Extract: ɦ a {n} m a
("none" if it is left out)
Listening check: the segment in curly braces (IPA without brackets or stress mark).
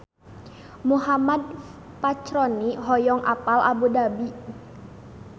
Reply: none